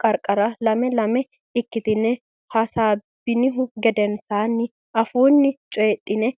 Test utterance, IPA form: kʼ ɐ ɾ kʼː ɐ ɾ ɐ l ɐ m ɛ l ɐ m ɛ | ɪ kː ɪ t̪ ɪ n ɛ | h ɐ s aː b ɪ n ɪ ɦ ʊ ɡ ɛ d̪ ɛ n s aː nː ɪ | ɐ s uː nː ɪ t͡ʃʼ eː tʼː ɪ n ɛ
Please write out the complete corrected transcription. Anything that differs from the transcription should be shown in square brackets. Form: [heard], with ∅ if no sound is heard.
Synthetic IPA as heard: kʼ ɐ ɾ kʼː ɐ ɾ ɐ l ɐ m ɛ l ɐ m ɛ | ɪ kː ɪ t̪ ɪ n ɛ | h ɐ s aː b ɪ n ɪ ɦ ʊ ɡ ɛ d̪ ɛ n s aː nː ɪ | ɐ [f] uː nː ɪ t͡ʃʼ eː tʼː ɪ n ɛ